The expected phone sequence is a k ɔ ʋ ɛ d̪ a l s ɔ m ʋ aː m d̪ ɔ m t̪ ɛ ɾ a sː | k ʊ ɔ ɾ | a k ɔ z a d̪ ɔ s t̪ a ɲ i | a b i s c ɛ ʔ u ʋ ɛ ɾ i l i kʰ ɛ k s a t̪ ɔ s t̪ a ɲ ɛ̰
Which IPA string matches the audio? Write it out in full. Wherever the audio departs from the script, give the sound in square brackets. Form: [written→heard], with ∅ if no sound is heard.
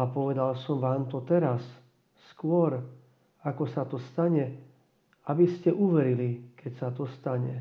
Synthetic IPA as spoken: a [k→p] ɔ ʋ ɛ d̪ a l s ɔ m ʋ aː m [d̪→t̪] ɔ [m→∅] t̪ ɛ ɾ a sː | k ʊ ɔ ɾ | a k ɔ [z→s] a [d̪→t̪] ɔ s t̪ a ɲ [i→ɛ] | a b i s c ɛ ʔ u ʋ ɛ ɾ i l i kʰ ɛ [k→c] s a t̪ ɔ s t̪ a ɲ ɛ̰